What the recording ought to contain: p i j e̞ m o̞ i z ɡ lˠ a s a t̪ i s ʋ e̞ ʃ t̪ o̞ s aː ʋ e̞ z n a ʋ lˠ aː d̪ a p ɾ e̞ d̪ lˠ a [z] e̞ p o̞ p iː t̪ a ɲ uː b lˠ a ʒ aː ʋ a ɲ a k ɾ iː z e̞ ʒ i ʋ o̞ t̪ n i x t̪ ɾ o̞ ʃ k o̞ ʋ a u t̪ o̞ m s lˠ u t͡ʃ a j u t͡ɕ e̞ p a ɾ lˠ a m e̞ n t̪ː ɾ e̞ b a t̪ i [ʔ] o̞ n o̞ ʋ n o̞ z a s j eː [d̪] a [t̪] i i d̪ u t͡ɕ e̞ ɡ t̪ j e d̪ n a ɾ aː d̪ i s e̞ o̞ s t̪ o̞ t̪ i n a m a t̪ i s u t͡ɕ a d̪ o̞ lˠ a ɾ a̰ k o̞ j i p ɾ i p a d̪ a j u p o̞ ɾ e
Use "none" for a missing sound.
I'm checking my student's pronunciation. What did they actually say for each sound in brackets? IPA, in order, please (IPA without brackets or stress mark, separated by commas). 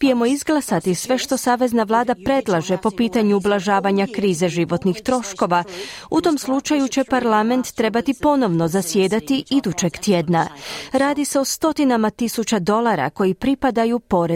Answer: ʒ, p, d̪, t̪